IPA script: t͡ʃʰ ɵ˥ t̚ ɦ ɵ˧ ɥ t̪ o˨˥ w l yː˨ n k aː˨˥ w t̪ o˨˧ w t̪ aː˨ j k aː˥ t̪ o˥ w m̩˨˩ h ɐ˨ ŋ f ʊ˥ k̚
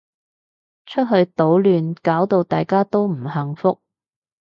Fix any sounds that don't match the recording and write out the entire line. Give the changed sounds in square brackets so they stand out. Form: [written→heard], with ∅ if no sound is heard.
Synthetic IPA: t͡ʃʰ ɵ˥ t̚ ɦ ɵ˧ ɥ t̪ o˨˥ w l yː˨ n k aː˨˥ w t̪ o˨˧ w t̪ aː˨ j k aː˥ t̪ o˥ w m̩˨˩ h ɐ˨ ŋ f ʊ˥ k̚